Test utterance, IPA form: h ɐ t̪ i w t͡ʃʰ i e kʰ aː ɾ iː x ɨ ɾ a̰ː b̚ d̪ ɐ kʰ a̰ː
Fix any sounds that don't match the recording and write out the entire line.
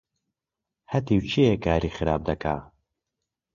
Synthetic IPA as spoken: h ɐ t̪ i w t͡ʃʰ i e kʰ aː ɾ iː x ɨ ɾ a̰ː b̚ d̪ ɐ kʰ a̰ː